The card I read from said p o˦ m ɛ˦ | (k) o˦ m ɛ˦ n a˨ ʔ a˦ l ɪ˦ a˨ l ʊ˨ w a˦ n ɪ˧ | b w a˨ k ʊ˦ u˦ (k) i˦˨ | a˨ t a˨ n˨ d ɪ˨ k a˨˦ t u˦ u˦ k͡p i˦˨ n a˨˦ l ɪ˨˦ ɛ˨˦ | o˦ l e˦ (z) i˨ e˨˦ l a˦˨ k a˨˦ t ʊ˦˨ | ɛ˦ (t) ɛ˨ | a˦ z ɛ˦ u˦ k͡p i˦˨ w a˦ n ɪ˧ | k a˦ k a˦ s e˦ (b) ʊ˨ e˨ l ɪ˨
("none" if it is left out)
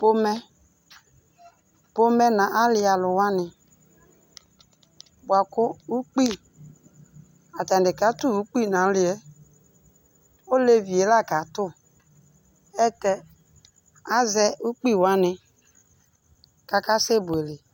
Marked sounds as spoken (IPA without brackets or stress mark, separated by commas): p, k͡p, v, t, b